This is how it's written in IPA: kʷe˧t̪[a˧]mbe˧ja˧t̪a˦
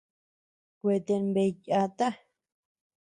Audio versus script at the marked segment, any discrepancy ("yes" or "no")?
yes